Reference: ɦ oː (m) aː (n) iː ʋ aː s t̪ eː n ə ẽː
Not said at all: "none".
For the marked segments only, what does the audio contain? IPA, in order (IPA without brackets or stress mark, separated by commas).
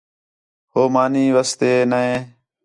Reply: m, n